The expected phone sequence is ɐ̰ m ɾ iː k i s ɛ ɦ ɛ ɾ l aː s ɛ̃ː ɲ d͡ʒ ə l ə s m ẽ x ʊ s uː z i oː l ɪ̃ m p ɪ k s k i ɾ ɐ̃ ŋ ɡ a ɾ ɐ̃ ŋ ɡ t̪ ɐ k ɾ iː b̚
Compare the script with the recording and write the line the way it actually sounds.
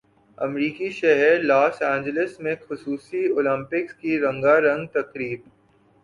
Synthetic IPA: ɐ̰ m ɾ iː k i ʃ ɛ ɦ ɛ ɾ l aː s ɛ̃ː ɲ d͡ʒ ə l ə s m ẽ x ʊ s uː s i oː l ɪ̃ m p ɪ k s k i ɾ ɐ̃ ŋ ɡ a ɾ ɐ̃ ŋ ɡ t̪ ɐ k ɾ iː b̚